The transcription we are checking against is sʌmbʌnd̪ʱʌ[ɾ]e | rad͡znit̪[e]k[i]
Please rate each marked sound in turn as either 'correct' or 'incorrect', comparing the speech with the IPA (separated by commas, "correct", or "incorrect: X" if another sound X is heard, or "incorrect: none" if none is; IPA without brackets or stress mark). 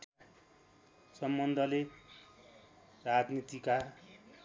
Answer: incorrect: l, incorrect: i, incorrect: a